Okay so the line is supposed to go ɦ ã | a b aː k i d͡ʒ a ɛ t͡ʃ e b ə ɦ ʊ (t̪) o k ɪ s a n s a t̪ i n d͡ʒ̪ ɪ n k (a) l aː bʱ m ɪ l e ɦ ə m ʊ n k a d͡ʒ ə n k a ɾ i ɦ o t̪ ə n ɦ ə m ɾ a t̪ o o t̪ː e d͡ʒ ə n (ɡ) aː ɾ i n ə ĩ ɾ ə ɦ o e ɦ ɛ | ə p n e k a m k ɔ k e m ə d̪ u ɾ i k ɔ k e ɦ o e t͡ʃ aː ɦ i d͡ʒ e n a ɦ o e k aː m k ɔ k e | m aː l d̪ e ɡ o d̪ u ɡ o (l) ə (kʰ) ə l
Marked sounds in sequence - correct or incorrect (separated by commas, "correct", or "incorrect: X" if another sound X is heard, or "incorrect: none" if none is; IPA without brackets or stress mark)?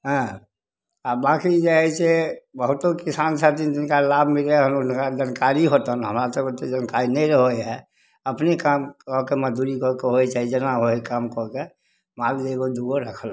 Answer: correct, correct, incorrect: k, incorrect: ɾ, correct